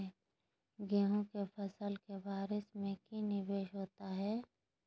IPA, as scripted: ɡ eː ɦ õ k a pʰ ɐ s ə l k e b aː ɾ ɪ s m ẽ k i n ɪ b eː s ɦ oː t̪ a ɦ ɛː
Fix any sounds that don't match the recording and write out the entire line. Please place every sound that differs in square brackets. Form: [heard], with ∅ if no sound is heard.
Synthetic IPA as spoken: ɡ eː ɦ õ k [e] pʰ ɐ s ə l k e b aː ɾ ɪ s m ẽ k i n ɪ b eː [ʃ] ɦ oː t̪ a ɦ ɛː